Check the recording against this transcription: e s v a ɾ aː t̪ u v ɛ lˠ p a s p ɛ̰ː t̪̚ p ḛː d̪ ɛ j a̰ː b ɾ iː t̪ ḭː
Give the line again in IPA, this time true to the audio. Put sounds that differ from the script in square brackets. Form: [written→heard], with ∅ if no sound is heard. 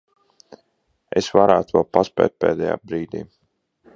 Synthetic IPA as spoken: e s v a ɾ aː t̪ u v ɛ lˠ p a s p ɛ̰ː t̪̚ p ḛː d̪ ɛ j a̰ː b ɾ iː [t̪→d̪] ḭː

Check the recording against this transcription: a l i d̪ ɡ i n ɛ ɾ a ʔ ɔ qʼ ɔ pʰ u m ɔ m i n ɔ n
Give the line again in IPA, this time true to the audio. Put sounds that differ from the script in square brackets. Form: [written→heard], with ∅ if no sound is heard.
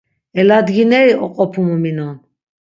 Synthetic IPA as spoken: [a→ɛ] l [i→a] d̪ ɡ i n ɛ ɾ [a→i] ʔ ɔ qʼ ɔ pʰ u m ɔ m i n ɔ n

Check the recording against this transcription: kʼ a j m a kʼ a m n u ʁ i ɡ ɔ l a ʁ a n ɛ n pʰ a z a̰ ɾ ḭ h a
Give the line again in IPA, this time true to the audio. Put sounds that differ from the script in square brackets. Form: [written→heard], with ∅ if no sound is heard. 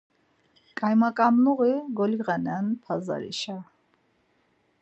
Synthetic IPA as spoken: kʼ a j m a kʼ a m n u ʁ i ɡ ɔ l [a→i] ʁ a n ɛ n pʰ a z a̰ ɾ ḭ [h→ʃ] a

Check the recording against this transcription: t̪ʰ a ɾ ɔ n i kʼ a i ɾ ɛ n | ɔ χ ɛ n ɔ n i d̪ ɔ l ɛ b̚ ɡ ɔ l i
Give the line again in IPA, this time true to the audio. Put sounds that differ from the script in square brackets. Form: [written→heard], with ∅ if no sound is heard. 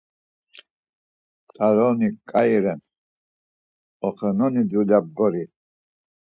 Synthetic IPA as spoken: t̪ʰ a ɾ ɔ n i kʼ a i ɾ ɛ n | ɔ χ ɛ n ɔ n i d̪ [ɔ→u] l [ɛ→a] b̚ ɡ ɔ [l→ɾ] i

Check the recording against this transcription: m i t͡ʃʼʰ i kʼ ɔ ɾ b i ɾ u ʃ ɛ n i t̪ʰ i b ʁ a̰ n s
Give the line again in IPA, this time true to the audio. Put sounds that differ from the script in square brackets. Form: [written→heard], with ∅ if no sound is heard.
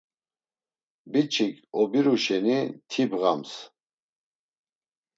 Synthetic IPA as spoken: [m→b] i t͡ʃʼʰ i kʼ ɔ [ɾ→∅] b i ɾ u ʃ ɛ n i t̪ʰ i b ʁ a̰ [n→m] s

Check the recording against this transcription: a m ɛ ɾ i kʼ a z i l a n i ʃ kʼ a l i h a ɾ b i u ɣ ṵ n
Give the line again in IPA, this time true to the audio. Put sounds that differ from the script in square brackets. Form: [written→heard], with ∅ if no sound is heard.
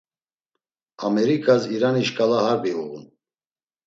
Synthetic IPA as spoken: a m ɛ ɾ i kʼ a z i [l→ɾ] a n i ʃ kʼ a l [i→a] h a ɾ b i u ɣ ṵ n

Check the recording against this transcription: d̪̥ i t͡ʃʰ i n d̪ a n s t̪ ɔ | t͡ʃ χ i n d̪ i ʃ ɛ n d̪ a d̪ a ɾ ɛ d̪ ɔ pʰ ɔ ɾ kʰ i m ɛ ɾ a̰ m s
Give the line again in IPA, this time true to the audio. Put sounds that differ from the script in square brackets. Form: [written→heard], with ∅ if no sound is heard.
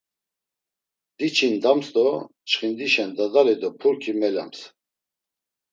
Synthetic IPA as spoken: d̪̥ i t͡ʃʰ i n d̪ a [n→m] s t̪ ɔ | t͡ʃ χ i n d̪ i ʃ ɛ n d̪ a d̪ a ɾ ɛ d̪ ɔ pʰ [ɔ→u] ɾ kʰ i m ɛ [ɾ→l] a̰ m s

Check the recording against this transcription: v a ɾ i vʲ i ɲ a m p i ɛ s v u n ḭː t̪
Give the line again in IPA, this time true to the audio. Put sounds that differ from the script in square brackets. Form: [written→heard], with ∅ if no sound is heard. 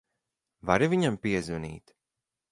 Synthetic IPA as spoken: v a ɾ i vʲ i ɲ a m p i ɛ [s→z] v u n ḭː t̪

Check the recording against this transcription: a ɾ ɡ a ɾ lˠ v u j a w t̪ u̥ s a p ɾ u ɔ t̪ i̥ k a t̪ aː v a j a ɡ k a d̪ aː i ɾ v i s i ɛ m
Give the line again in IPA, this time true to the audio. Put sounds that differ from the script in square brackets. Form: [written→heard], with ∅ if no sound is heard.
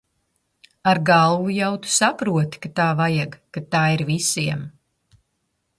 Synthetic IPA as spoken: a ɾ ɡ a [ɾ→∅] lˠ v u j a w t̪ u̥ s a p ɾ u ɔ t̪ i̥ k a t̪ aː v a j a ɡ k a [d̪→t̪] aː i ɾ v i s i ɛ m

